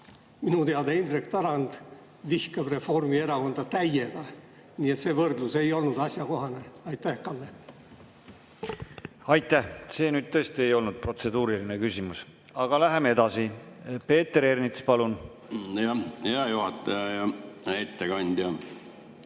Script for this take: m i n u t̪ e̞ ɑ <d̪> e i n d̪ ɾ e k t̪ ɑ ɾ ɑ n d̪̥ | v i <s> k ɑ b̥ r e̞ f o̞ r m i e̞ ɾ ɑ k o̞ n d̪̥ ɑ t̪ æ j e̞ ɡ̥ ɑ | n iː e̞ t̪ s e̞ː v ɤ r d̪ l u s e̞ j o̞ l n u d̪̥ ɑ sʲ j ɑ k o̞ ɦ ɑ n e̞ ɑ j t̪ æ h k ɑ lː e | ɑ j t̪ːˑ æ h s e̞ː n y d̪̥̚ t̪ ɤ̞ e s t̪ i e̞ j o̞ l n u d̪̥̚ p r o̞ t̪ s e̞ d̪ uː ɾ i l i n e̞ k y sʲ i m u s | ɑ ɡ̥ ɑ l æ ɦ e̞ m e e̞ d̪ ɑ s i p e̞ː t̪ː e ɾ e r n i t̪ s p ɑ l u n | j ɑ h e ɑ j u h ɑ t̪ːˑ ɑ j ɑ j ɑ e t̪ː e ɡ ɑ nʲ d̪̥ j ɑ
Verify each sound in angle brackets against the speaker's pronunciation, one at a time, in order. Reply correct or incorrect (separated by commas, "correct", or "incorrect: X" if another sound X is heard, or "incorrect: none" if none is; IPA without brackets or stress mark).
correct, incorrect: h